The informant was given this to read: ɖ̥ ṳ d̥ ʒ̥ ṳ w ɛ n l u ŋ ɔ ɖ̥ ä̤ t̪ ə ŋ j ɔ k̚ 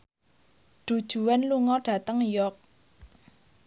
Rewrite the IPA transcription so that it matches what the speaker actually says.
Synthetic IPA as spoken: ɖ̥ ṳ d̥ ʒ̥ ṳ w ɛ n l u ŋ ɔ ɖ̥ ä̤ t̪ ə ŋ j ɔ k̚